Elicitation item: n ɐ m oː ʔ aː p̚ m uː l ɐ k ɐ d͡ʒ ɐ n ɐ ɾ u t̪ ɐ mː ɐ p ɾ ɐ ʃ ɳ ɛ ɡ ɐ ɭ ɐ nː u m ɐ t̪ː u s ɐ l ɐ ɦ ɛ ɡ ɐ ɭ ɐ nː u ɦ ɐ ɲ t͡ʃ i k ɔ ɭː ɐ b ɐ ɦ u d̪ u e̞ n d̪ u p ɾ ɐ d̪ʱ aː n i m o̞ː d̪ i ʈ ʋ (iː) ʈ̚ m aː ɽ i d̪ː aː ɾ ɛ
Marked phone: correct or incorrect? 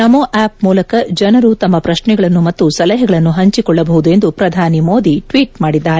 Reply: correct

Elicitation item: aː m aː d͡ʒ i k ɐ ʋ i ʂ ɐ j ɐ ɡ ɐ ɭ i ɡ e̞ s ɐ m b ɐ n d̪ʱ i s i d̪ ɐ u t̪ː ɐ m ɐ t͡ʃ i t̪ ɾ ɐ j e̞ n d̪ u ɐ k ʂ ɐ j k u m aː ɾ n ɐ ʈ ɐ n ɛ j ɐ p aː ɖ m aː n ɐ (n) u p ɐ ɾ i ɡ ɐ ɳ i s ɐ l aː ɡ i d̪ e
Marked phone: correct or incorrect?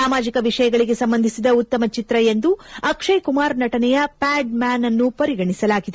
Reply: incorrect: nː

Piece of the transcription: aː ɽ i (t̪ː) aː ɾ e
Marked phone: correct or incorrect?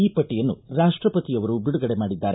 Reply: incorrect: d̪ː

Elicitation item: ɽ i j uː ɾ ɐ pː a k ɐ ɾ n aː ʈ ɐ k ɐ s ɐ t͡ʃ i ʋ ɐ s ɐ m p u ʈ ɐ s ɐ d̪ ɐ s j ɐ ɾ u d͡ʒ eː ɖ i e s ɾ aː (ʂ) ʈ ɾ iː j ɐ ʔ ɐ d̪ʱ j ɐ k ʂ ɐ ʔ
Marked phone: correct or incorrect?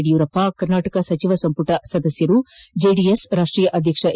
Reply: correct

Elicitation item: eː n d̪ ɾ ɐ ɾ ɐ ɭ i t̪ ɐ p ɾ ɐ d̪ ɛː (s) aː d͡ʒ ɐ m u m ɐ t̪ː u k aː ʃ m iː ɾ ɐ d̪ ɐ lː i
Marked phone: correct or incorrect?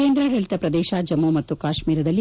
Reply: incorrect: ʃ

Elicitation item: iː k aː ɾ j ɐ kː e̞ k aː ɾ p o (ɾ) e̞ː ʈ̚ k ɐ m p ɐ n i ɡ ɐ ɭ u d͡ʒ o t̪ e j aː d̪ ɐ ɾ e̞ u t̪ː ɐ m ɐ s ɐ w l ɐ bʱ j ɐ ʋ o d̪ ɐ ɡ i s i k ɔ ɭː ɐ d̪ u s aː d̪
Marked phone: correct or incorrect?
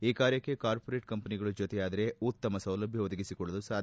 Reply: correct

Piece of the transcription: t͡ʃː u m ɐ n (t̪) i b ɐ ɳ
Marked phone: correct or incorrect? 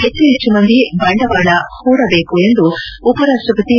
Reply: incorrect: d̪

